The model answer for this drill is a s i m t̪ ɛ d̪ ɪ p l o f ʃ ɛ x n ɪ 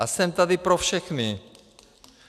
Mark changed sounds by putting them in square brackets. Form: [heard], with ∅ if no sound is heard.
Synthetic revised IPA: a s [ɛ] m t̪ [a] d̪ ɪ p [ɾ] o f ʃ ɛ x n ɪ